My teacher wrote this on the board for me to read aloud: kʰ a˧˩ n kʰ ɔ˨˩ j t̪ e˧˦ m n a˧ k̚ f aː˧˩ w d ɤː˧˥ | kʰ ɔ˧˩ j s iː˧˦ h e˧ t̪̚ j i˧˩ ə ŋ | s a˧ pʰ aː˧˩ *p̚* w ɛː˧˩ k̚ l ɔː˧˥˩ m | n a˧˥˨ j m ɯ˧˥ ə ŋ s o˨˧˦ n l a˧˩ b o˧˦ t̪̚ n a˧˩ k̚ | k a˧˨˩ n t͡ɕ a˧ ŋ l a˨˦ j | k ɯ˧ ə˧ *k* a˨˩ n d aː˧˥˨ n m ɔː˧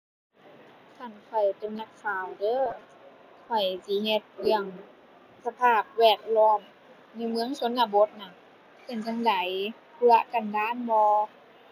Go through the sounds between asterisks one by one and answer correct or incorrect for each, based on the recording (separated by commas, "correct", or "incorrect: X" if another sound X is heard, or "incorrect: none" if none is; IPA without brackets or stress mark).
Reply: correct, correct